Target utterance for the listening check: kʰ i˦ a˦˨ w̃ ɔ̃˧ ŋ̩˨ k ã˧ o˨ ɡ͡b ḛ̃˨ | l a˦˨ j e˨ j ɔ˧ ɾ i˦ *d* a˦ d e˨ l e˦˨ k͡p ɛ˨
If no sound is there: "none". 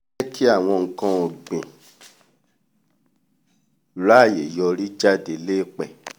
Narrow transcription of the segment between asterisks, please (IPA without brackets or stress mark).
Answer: d͡ʒ